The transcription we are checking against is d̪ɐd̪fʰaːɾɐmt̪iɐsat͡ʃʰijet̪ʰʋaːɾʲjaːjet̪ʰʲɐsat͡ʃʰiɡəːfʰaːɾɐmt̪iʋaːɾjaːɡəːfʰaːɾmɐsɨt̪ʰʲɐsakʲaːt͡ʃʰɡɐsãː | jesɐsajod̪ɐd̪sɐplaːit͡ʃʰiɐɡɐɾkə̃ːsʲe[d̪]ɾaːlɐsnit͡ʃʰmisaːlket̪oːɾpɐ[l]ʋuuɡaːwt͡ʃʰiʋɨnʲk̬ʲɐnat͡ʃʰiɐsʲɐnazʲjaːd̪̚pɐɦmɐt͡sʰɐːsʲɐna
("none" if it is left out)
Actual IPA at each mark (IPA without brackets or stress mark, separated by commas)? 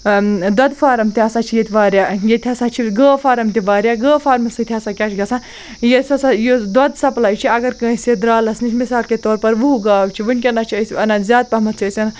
d̪, ɾ